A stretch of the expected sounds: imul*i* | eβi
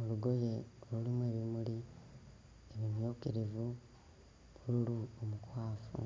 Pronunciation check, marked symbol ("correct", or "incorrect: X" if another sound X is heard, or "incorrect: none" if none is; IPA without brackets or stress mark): correct